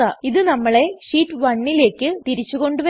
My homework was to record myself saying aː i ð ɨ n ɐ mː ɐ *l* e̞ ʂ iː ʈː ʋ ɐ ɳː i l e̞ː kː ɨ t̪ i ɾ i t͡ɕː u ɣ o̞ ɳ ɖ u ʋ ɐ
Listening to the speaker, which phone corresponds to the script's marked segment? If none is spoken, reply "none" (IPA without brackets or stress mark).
ɭ